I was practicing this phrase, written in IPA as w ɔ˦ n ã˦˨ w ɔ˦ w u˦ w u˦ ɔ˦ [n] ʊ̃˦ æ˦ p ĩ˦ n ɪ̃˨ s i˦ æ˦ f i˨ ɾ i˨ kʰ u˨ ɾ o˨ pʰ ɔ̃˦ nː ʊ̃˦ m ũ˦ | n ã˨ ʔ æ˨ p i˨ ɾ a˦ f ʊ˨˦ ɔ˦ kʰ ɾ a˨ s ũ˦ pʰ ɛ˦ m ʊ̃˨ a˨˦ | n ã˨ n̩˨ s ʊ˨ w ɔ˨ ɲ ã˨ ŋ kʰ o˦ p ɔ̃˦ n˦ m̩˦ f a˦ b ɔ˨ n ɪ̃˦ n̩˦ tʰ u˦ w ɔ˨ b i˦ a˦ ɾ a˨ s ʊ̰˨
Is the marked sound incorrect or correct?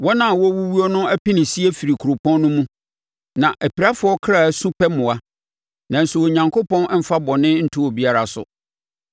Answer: correct